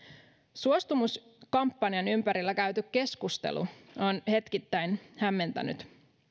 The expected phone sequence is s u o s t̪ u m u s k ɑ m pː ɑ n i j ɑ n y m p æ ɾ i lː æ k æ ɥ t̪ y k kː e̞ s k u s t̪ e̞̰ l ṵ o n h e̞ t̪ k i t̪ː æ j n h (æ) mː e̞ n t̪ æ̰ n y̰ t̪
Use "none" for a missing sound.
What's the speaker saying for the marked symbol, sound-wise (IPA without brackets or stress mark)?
æ